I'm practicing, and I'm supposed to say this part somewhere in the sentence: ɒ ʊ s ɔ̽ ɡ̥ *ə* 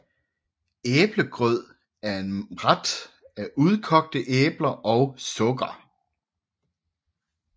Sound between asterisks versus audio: incorrect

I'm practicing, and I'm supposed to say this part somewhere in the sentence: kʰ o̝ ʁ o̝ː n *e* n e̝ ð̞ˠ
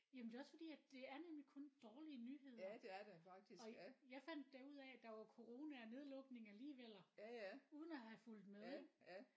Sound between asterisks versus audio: incorrect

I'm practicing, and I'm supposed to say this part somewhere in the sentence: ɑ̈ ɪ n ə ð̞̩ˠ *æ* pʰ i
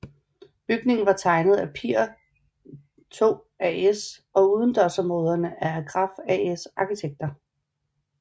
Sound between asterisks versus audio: correct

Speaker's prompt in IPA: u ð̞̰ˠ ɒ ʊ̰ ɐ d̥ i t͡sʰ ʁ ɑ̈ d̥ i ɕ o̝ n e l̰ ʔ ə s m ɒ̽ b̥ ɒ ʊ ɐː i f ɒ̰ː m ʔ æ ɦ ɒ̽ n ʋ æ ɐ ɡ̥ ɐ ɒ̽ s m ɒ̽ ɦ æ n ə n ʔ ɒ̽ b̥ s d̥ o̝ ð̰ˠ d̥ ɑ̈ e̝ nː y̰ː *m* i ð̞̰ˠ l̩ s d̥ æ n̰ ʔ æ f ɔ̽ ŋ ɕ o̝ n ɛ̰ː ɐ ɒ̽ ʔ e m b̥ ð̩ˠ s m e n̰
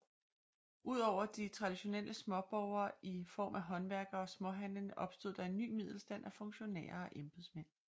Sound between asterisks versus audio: correct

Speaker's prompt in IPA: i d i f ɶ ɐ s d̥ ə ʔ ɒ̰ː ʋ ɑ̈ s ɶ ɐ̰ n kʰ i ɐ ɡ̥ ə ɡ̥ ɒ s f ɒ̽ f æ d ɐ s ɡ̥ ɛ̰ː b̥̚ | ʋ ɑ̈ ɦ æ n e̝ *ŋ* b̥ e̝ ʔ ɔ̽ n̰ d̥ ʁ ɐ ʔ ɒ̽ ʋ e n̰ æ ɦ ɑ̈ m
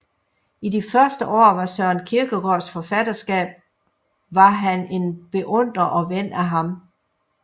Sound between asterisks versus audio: incorrect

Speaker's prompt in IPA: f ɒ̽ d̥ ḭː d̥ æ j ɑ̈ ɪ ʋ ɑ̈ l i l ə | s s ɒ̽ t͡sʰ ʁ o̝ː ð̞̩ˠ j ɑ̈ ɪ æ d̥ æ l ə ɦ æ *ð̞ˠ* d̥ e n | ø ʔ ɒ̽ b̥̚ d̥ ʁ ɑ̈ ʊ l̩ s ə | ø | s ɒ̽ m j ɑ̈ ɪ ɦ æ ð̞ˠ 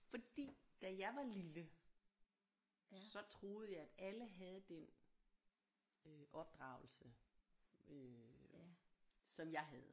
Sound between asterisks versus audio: correct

